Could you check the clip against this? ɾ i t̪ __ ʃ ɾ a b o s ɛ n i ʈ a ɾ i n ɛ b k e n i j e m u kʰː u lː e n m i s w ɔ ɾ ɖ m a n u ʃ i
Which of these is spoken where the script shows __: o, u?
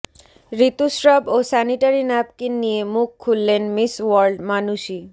u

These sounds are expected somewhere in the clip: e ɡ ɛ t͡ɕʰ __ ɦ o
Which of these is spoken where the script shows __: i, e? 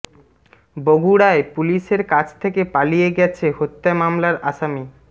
e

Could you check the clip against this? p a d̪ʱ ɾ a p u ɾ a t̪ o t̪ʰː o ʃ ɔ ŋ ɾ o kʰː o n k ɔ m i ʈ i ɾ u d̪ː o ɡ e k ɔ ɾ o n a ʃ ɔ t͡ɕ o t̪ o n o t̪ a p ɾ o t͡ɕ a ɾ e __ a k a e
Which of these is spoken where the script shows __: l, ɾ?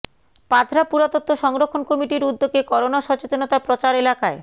l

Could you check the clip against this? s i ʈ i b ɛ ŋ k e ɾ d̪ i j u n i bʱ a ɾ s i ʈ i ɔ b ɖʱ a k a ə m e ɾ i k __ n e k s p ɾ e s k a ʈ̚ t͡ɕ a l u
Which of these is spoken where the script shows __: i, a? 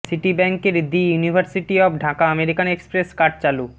a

